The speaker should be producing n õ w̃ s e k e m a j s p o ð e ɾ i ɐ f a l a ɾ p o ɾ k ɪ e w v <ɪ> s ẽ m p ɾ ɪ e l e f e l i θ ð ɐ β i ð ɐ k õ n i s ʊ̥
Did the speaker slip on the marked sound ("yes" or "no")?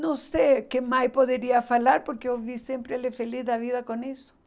yes